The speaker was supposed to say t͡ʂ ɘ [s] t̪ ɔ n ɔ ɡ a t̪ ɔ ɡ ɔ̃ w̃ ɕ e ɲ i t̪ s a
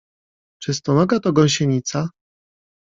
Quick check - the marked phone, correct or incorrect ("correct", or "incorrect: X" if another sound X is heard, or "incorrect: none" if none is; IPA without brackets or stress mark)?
correct